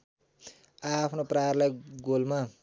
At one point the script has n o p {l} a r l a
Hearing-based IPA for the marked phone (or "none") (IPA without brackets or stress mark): r